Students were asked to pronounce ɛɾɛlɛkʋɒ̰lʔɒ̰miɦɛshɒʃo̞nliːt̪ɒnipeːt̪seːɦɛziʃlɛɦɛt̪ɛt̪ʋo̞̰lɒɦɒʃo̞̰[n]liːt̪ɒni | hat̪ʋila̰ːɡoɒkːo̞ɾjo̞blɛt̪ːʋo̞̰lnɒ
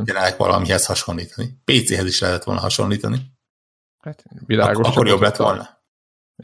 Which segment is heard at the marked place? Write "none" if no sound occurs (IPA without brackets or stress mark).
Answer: n